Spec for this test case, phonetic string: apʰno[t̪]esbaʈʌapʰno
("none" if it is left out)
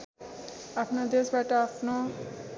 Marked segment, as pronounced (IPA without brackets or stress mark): d̪